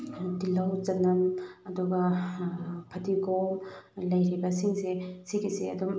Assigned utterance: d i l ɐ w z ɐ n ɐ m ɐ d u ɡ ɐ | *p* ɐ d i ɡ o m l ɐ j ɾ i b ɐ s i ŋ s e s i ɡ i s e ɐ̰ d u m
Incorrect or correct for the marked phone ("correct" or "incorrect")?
incorrect